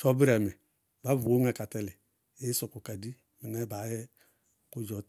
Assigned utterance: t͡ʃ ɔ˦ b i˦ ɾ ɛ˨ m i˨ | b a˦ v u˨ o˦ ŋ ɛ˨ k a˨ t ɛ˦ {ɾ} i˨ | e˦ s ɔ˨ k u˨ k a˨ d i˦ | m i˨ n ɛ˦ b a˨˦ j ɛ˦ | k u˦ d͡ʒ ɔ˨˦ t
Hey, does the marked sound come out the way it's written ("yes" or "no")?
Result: no